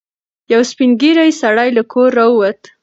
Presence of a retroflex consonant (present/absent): present